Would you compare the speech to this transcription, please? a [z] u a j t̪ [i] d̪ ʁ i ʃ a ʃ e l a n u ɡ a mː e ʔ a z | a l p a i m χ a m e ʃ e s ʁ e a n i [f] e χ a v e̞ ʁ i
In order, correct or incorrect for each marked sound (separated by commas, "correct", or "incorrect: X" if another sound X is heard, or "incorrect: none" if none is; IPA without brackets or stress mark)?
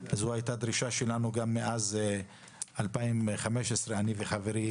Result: correct, incorrect: a, incorrect: v